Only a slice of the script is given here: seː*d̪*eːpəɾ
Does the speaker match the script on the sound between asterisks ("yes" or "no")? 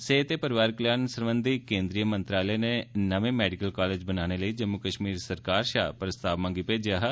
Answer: no